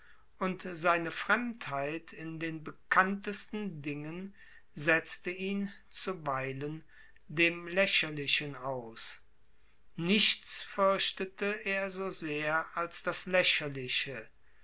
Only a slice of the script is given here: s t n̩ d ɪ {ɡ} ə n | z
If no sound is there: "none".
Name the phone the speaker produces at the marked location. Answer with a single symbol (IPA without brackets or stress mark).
ŋ